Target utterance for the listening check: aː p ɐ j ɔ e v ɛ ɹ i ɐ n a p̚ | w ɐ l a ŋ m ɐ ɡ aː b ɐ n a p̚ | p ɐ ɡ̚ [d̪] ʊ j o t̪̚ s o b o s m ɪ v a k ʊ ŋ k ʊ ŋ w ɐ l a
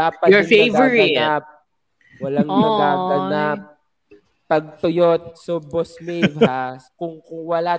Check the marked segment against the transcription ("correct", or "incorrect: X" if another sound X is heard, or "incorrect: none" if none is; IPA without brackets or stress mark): incorrect: t̪